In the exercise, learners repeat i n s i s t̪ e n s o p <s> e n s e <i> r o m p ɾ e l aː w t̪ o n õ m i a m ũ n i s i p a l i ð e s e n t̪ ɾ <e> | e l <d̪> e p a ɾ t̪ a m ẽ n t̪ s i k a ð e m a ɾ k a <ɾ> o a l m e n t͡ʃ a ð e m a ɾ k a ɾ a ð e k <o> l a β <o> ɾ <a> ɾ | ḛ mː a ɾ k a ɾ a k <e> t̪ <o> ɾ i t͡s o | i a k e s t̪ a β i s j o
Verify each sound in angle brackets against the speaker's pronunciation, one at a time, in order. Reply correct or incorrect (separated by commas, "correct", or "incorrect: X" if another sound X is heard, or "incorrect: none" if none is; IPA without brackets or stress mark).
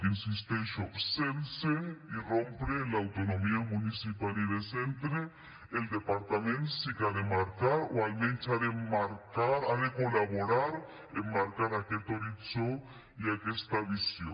correct, correct, correct, correct, correct, correct, correct, correct, correct, correct